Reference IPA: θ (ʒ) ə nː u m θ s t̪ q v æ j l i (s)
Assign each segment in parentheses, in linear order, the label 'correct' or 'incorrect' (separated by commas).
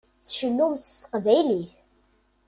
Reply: incorrect, incorrect